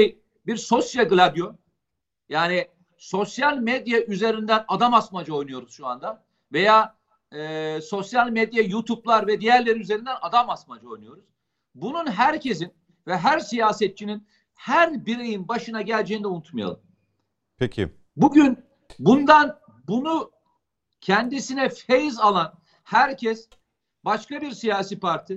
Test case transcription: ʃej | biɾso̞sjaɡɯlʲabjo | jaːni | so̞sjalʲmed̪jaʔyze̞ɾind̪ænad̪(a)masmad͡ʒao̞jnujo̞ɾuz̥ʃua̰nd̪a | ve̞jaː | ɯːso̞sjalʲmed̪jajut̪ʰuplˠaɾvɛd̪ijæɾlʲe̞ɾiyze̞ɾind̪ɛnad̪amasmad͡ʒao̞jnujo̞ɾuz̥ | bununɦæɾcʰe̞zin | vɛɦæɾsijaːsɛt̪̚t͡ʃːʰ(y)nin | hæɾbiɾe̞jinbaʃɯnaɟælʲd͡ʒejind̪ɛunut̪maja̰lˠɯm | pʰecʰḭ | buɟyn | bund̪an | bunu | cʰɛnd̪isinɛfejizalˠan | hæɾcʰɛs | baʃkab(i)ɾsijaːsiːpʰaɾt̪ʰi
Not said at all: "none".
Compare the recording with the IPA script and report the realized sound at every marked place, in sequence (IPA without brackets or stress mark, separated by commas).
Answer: a, i, i